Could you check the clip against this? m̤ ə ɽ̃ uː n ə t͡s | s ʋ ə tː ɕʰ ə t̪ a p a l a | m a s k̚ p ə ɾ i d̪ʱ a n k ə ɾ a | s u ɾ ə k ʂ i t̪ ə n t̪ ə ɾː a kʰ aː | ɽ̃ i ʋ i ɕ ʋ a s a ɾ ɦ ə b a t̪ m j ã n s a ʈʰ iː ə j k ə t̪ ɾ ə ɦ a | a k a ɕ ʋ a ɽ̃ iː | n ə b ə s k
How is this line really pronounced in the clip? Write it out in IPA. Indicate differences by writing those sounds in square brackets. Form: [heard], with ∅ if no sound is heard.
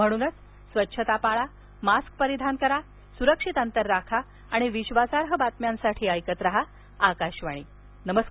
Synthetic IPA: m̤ ə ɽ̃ uː n ə t͡s | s ʋ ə tː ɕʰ ə t̪ a p a [ɭ] a | m a s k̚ p ə ɾ i d̪ʱ a n k ə ɾ a | s u ɾ ə k ʂ i t̪ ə n t̪ ə ɾː a kʰ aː | ɽ̃ i ʋ i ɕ ʋ a s a ɾ ɦ ə b a t̪ m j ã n s a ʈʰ iː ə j k ə t̪ ɾ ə ɦ a | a k a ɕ ʋ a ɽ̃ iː | n ə [m] ə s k

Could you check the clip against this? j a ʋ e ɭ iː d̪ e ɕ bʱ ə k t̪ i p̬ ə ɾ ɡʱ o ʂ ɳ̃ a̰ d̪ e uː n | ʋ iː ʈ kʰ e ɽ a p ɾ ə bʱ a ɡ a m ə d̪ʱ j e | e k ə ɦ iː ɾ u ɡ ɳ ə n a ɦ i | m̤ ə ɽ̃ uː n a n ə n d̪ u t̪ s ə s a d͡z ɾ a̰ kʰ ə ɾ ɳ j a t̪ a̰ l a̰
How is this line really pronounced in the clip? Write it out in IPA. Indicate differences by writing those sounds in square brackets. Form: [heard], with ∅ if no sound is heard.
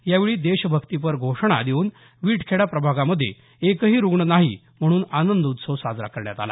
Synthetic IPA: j a ʋ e ɭ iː d̪ e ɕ bʱ ə k t̪ i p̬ ə ɾ ɡʱ o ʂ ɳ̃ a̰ d̪ e uː n | ʋ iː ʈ kʰ e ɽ a p ɾ ə bʱ a ɡ a m ə d̪ʱ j e | e k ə ɦ iː ɾ u ɡ ɳ ə n a ɦ i | m̤ ə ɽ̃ uː n a n ə n d̪ u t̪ s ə s a d͡z ɾ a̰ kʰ ə ɾ ɳ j a t̪ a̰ l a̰

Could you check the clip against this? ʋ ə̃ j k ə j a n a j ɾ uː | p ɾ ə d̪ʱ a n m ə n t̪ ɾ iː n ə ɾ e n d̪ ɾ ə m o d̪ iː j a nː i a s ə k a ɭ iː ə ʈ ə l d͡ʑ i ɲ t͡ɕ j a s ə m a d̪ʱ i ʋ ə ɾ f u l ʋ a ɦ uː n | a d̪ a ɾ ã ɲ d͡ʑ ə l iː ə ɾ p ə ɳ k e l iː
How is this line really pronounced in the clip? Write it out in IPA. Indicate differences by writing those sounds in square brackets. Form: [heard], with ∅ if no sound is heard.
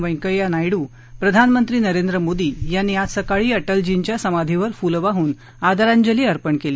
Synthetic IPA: ʋ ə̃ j k ə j a n a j [ɽ] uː | p ɾ ə d̪ʱ a n m ə n t̪ ɾ iː n ə ɾ e n d̪ ɾ ə m o d̪ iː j a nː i a s ə k a ɭ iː ə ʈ ə l d͡ʑ i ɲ t͡ɕ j a s ə m a d̪ʱ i ʋ ə ɾ f u l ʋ a ɦ uː n | a d̪ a ɾ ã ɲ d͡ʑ ə l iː ə ɾ p ə ɳ k e l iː

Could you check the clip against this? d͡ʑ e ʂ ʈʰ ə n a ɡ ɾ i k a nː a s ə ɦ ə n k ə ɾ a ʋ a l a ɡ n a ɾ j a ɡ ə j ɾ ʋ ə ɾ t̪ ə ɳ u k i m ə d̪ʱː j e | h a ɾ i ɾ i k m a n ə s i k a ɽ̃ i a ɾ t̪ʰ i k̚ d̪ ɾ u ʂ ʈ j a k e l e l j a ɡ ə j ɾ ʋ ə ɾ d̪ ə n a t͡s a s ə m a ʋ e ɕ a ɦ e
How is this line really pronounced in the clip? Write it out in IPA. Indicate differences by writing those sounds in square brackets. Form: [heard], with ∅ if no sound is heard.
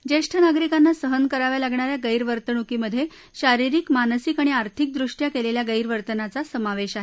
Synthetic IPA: d͡ʑ e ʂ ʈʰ ə n a ɡ ɾ i k a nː a s ə ɦ ə n k ə ɾ a ʋ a l a ɡ [ɳ] a ɾ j a ɡ ə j ɾ ʋ ə ɾ t̪ ə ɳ u k i m ə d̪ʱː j e | [ɕ] a ɾ i ɾ i k m a n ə s i k a ɽ̃ i a ɾ t̪ʰ i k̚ d̪ ɾ u ʂ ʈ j a k e l e l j a ɡ ə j ɾ ʋ ə ɾ [t̪] ə n a t͡s a s ə m a ʋ e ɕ a ɦ e

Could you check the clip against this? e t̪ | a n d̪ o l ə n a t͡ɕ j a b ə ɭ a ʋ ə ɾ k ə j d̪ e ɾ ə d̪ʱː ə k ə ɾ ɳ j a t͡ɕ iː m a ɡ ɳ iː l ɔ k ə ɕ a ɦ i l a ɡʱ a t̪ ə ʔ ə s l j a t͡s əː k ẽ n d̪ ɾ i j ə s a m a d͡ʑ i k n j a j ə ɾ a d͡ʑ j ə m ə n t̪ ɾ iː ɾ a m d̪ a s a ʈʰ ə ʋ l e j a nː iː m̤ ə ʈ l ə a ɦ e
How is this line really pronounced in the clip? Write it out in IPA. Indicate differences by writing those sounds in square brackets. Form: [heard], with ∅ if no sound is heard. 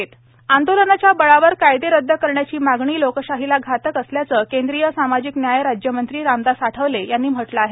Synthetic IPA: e t̪ | a n d̪ o l ə n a t͡ɕ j a b ə ɭ a ʋ ə ɾ k [a] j d̪ e ɾ ə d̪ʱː ə k ə ɾ ɳ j a t͡ɕ iː m a ɡ ɳ iː l [o] k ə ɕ a ɦ i l a ɡʱ a t̪ ə [k] ə s l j a t͡s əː k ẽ n d̪ ɾ i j ə s a m a d͡ʑ i k n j a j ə ɾ a d͡ʑ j ə m ə n t̪ ɾ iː ɾ a m d̪ a s a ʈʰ ə ʋ l e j a nː iː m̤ ə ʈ l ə a ɦ e

